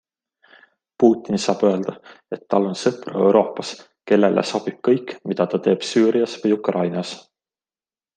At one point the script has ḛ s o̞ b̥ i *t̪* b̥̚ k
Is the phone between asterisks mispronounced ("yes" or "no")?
yes